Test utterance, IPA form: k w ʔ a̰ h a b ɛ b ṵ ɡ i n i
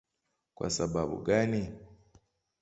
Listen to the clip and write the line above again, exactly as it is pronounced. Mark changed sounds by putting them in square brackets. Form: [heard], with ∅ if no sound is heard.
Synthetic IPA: k w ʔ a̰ [s] a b [a] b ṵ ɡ [a] n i